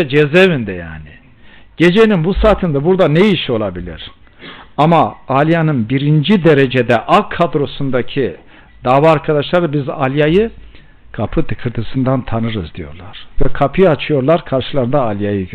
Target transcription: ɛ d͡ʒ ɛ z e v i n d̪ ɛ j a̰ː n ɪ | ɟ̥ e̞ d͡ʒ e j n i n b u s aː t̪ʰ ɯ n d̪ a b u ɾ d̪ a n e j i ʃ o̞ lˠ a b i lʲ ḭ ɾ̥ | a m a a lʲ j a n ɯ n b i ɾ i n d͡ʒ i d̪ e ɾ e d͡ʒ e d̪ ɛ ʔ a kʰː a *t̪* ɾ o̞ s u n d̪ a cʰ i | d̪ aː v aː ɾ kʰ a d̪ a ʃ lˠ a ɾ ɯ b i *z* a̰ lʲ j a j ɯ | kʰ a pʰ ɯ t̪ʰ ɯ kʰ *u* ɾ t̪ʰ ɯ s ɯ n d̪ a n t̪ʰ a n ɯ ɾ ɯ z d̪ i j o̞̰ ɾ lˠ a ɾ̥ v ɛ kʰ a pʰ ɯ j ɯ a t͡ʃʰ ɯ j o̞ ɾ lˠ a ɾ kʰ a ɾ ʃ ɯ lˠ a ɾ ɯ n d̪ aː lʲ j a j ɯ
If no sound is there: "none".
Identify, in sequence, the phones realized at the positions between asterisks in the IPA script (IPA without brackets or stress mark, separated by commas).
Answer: d̪, z, ɯ